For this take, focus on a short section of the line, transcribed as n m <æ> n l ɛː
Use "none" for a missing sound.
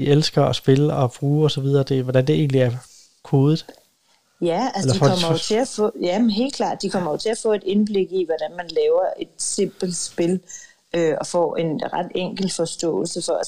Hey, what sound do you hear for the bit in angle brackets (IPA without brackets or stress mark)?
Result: æ